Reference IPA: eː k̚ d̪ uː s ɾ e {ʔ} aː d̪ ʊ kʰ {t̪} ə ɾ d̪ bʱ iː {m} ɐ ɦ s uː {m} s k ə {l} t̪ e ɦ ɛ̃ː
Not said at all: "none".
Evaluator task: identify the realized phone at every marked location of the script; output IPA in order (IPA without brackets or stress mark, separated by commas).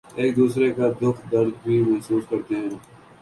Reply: k, d̪, m, none, ɾ